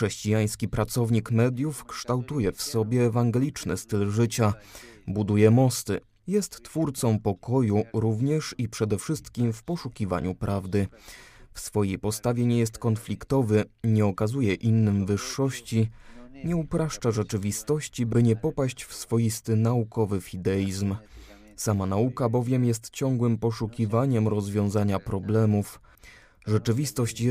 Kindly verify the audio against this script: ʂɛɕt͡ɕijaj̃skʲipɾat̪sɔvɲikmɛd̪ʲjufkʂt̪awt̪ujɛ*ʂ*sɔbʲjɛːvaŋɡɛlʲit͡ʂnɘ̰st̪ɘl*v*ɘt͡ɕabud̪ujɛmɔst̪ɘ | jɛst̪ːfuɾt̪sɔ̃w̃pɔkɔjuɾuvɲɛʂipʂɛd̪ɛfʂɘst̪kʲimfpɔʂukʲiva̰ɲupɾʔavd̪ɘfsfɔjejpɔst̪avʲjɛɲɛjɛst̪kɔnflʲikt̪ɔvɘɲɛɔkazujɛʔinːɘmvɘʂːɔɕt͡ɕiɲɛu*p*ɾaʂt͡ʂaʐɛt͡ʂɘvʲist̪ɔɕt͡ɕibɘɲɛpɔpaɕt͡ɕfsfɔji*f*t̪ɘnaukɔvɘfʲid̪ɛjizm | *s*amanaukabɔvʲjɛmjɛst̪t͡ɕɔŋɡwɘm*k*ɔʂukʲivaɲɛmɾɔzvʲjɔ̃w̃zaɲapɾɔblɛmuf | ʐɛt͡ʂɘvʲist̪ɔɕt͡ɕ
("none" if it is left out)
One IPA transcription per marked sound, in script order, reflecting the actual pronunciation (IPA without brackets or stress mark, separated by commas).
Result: f, ʐ, p, s, s, p